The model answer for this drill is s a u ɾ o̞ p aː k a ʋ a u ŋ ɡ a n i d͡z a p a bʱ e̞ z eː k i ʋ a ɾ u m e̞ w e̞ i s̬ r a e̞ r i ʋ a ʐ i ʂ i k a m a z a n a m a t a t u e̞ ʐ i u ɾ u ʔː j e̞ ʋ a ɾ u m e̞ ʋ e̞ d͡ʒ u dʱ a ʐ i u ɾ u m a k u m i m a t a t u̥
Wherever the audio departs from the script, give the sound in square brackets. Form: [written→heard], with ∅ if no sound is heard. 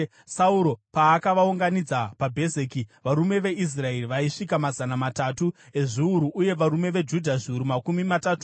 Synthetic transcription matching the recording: s a u ɾ o̞ p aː k a ʋ a u ŋ ɡ a n i d͡z a p a bʱ e̞ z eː k i ʋ a ɾ u m e̞ [w→ʋ] e̞ i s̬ r a e̞ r i ʋ a [ʐ→∅] i ʂ i k a m a z a n a m a t a t u e̞ ʐ i u ɾ u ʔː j e̞ ʋ a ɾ u m e̞ ʋ e̞ d͡ʒ u dʱ a ʐ i u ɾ u m a k u m i m a t a t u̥